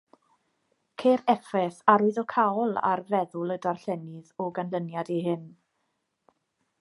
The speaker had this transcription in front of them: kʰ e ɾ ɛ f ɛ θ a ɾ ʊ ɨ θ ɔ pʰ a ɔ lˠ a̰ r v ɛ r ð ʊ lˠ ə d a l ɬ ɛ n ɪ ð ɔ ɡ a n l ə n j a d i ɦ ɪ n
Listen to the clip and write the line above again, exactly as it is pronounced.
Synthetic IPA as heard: kʰ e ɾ ɛ f ɛ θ a ɾ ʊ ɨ ð ɔ kʰ a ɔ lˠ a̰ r v ɛ ð ʊ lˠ ə d a r ɬ ɛ n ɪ ð ɔ ɡ a n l ə n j a d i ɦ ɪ n